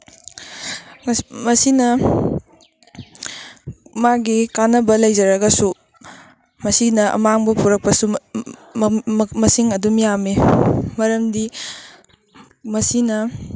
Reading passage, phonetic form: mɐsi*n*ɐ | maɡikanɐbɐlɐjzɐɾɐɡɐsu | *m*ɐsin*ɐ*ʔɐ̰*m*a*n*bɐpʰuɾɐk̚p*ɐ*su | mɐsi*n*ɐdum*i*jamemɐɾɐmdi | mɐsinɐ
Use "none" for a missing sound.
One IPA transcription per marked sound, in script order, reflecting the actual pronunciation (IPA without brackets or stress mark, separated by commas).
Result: n, m, ɐ, m, ŋ, ɐ, ŋ, i